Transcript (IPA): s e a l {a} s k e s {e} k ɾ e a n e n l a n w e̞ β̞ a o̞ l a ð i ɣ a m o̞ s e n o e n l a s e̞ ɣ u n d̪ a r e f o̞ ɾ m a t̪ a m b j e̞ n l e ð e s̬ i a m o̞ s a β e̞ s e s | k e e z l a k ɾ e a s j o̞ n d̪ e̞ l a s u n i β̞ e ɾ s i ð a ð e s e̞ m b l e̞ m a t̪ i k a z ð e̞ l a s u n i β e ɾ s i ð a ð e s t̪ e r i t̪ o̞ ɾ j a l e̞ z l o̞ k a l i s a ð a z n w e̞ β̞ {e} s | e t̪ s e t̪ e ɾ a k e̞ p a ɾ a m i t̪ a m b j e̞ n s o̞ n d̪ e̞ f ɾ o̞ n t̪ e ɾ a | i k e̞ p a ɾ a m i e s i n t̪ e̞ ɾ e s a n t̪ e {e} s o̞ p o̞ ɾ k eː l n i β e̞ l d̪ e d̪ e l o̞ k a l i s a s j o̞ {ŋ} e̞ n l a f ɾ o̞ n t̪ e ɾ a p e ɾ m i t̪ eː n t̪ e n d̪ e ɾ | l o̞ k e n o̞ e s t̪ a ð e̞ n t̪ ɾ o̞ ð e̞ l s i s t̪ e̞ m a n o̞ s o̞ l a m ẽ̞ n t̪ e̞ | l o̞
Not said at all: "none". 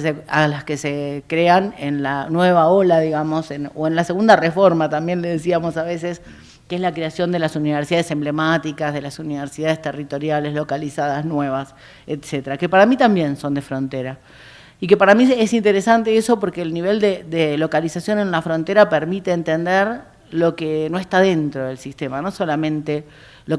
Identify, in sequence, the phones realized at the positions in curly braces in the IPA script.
a, e, a, e, n

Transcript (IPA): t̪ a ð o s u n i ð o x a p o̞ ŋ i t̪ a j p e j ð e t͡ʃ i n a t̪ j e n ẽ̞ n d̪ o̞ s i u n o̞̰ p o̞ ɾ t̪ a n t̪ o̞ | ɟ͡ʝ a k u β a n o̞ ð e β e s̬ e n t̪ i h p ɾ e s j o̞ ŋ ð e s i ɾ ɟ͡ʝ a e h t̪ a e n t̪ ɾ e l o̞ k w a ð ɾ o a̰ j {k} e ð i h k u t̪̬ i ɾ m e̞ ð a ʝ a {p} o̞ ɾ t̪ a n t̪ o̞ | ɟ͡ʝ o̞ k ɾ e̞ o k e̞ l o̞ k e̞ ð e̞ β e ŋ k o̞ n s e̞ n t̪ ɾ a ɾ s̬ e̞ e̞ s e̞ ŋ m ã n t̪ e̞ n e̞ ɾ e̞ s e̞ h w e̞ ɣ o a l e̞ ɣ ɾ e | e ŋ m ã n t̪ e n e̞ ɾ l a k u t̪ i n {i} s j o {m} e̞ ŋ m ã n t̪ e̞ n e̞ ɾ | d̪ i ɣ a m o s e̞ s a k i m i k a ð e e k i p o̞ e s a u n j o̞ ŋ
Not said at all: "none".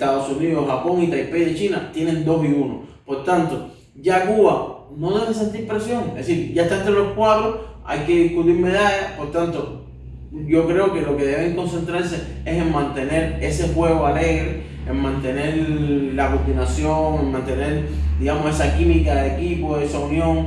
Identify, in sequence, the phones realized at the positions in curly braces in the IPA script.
k, p, a, ŋ

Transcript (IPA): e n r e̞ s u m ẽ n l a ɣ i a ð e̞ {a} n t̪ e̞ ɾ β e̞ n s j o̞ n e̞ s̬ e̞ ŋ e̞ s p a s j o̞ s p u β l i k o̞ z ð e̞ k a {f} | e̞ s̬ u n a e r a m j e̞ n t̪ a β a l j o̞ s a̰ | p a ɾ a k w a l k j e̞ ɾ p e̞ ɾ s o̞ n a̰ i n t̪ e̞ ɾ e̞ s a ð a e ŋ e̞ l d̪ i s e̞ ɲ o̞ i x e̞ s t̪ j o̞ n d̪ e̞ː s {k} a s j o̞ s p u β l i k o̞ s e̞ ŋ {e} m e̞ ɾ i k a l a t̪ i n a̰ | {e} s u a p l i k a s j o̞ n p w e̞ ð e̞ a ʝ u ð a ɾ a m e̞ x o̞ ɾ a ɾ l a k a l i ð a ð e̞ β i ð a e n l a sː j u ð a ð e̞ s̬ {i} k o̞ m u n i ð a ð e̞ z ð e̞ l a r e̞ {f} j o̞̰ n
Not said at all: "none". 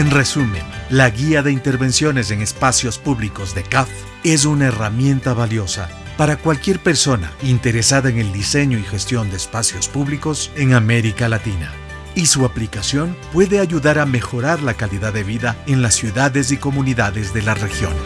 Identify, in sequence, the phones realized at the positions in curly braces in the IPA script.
i, f, p, a, i, i, x

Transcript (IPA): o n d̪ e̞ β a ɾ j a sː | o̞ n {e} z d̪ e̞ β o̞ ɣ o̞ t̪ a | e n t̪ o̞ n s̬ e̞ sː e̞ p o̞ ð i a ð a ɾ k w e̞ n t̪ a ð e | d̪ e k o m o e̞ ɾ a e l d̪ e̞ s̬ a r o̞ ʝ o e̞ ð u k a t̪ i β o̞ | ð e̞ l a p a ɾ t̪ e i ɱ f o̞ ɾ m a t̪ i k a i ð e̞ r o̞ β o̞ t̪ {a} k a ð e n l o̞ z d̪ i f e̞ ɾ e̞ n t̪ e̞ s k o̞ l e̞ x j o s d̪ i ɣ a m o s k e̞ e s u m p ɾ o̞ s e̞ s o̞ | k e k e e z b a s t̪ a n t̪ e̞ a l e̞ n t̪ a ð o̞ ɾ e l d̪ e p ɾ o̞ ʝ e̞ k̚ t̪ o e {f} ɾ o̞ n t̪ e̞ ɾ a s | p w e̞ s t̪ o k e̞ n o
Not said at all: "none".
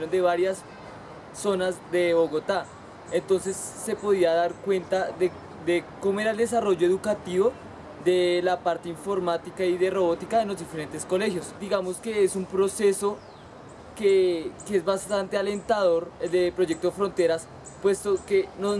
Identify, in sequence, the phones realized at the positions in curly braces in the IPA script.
a, i, f

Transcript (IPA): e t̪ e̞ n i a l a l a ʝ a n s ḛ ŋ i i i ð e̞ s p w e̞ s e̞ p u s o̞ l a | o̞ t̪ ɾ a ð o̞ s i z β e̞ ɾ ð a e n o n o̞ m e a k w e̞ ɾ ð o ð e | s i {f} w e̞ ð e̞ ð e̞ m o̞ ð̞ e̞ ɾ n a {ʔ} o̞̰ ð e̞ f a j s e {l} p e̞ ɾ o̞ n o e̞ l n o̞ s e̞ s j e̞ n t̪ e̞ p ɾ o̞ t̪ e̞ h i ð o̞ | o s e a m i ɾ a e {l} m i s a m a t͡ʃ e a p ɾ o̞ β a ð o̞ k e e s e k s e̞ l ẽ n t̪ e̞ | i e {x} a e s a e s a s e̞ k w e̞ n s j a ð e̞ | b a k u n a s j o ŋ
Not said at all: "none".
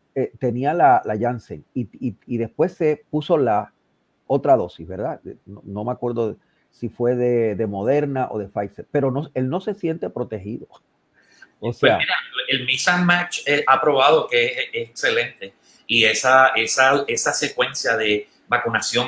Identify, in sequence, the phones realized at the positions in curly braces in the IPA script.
f, ʔ, ɾ, l, s

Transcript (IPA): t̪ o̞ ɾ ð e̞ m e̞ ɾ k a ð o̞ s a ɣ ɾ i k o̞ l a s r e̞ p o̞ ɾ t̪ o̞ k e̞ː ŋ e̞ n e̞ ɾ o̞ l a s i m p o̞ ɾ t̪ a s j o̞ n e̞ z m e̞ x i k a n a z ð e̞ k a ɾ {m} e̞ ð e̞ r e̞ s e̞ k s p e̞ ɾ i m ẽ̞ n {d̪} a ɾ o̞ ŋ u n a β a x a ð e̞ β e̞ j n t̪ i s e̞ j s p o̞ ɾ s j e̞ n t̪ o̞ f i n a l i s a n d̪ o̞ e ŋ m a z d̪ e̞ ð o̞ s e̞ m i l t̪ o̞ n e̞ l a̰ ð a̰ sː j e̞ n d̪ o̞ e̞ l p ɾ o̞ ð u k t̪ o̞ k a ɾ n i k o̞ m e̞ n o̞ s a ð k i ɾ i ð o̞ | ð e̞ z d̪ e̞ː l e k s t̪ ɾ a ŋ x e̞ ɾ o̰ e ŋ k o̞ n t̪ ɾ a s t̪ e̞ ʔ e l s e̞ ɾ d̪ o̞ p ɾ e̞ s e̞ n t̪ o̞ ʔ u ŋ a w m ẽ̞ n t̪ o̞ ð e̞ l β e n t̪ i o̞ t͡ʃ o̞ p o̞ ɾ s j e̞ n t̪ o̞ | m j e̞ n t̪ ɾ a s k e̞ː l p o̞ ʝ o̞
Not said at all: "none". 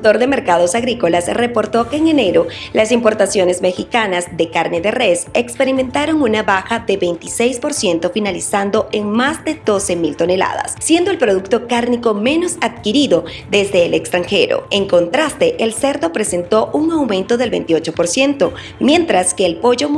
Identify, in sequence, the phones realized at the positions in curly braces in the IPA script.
n, t̪

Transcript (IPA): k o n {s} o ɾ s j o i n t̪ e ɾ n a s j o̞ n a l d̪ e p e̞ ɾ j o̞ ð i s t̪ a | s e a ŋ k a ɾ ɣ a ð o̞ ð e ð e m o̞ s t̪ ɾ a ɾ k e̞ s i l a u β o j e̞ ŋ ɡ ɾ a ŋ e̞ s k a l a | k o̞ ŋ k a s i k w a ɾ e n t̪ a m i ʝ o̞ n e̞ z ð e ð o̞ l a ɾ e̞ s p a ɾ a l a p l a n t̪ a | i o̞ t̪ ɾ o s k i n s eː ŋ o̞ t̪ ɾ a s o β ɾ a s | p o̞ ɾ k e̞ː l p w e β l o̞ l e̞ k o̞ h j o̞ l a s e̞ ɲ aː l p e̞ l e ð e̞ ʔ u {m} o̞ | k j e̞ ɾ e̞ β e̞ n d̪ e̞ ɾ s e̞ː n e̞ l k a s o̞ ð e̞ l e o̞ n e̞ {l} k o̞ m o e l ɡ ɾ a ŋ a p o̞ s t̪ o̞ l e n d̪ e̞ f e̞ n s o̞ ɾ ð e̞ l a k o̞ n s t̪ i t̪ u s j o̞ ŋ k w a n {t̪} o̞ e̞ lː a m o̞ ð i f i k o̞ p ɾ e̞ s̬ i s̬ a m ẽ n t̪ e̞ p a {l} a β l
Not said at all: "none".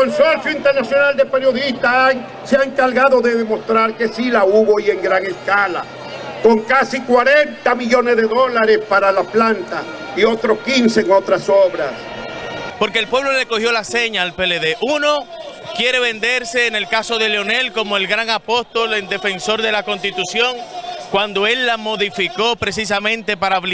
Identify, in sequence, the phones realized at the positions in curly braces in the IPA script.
s, n, l, d̪, ɾ

